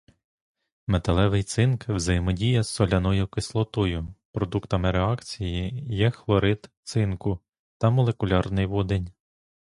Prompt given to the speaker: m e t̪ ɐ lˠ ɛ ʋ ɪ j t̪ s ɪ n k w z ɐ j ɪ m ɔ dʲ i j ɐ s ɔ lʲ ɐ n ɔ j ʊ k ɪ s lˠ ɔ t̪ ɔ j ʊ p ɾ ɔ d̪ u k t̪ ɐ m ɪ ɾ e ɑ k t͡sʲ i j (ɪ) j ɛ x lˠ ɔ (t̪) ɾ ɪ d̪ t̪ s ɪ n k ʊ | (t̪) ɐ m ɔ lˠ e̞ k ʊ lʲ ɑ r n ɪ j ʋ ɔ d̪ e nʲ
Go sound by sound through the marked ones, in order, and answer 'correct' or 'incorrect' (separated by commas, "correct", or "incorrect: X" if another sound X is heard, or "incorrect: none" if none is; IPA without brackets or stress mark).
incorrect: i, incorrect: none, correct